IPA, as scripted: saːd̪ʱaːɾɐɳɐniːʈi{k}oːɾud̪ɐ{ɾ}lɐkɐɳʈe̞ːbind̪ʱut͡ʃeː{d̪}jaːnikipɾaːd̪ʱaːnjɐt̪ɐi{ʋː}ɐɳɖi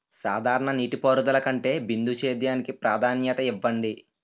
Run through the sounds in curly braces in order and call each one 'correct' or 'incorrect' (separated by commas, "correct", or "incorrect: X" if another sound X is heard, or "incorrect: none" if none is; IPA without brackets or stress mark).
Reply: incorrect: p, incorrect: none, correct, correct